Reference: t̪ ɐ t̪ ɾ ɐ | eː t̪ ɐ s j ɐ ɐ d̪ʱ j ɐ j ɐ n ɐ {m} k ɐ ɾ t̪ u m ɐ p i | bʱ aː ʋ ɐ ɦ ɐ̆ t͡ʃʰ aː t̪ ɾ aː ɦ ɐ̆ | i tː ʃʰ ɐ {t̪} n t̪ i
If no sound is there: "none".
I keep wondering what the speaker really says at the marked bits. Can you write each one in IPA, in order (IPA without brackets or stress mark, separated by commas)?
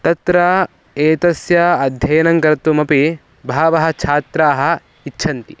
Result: ŋ, none